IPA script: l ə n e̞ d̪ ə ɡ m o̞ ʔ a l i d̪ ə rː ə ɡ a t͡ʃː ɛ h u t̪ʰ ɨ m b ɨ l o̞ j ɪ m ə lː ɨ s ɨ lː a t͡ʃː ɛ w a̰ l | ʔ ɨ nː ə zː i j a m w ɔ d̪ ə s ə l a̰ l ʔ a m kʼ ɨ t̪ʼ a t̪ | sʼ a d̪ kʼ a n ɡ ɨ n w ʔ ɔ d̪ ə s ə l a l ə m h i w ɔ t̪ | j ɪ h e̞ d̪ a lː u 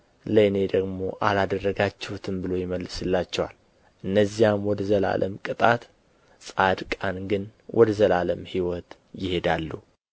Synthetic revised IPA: l ə n e̞ d̪ ə ɡ m o̞ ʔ a l a d̪ ə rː ə ɡ a t͡ʃː ɛ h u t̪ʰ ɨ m b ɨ l o̞ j ɪ m ə lː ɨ s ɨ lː a t͡ʃː ɛ w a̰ l | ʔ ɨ nː ə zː i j a m w ɔ d̪ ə z ə l a̰ l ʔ ə m kʼ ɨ t̪ʼ a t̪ | sʼ a d̪ kʼ a n ɡ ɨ n w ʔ ɔ d̪ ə z ə l a l ə m h i w ɔ t̪ | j ɪ h e̞ d̪ a lː u